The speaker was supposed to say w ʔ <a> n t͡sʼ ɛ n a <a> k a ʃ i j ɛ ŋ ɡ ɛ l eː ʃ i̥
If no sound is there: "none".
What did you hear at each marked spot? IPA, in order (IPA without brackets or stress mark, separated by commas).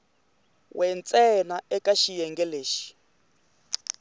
ɛ, ɛ